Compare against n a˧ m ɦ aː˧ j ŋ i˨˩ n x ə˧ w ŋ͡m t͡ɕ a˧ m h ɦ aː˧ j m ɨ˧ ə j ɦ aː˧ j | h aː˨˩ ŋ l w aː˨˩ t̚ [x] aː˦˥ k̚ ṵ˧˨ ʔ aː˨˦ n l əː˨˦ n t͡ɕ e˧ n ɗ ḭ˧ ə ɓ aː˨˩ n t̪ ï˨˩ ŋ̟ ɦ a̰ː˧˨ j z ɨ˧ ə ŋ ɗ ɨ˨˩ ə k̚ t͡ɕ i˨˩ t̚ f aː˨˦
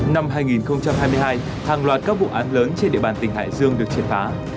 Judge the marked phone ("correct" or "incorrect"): incorrect